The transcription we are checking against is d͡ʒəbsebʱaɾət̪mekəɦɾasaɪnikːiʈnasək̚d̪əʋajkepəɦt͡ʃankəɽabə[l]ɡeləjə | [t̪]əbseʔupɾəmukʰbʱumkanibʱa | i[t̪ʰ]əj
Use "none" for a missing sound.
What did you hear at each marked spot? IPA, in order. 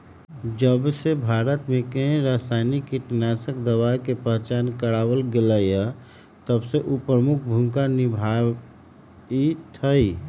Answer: l, t̪, t̪ʰ

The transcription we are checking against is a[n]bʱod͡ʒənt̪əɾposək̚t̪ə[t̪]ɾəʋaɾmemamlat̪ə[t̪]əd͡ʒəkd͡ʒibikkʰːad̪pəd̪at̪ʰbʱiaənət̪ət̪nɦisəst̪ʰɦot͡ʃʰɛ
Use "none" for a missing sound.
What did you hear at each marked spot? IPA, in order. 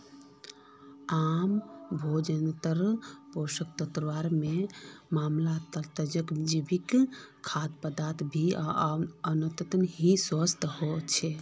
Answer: m, t̪, t̪

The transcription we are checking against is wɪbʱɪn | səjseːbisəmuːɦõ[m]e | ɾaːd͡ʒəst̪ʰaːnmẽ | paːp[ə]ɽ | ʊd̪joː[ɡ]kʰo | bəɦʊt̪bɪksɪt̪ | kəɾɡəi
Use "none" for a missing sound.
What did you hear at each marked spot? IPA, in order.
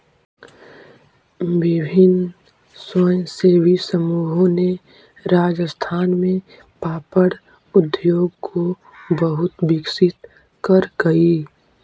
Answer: n, ə, ɡ

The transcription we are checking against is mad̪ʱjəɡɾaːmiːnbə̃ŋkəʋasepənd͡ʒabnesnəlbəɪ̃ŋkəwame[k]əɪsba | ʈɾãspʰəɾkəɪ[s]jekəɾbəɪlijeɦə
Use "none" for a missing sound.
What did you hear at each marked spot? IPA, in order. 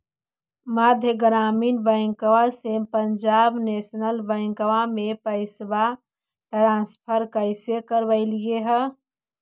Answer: p, s

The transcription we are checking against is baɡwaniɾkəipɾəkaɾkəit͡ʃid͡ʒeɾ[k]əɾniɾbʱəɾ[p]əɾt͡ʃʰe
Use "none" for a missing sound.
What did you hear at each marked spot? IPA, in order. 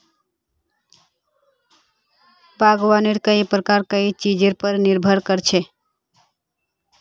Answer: p, k

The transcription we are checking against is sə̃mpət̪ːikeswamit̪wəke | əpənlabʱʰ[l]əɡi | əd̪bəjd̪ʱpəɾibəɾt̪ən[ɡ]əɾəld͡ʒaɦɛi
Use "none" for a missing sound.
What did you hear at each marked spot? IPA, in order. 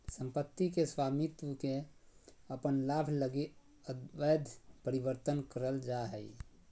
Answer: l, k

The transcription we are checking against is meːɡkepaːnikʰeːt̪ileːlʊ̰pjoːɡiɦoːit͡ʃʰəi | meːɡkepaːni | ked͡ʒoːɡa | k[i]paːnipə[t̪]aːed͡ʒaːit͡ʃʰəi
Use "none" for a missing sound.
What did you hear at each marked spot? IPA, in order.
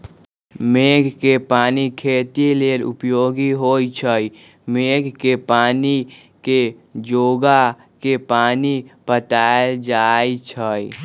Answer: e, t̪

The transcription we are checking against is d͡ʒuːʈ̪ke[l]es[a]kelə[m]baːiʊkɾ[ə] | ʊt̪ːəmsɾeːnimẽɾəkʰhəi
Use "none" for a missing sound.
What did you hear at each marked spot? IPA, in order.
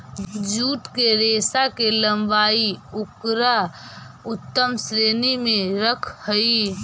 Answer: ɾ, a, m, a

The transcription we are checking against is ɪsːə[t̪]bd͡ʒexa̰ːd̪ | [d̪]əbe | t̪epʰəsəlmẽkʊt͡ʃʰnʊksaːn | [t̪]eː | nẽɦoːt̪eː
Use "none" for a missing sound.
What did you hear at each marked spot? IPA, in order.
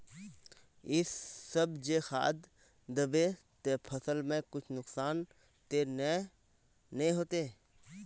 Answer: none, d̪, t̪

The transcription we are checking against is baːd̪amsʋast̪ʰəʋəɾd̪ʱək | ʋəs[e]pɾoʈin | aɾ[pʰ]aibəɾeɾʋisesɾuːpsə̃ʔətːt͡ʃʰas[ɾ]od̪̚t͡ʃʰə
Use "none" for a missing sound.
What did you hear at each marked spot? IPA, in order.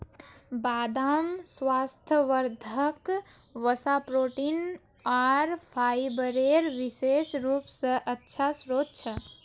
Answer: a, pʰ, ɾ

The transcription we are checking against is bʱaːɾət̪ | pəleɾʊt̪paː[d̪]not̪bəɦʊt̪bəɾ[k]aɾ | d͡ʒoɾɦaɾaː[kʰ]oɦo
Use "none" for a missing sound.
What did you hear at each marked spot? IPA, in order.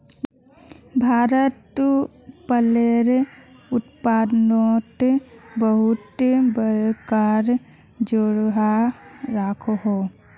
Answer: d̪, k, kʰ

